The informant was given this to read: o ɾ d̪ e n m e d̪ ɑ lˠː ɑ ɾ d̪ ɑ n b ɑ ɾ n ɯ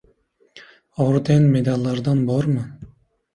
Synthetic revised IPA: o ɾ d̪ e n m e d̪ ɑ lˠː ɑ ɾ d̪ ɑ n b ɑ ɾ m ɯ